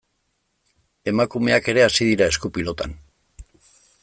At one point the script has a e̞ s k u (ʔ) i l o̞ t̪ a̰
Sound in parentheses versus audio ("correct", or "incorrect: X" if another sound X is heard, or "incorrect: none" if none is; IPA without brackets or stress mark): incorrect: p